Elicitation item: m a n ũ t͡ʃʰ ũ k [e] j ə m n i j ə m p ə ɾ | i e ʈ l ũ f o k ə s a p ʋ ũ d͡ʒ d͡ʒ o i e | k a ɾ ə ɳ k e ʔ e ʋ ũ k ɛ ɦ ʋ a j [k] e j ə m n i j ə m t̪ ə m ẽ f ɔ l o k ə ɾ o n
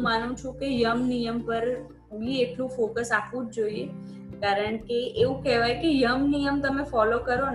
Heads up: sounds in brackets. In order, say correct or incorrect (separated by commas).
correct, correct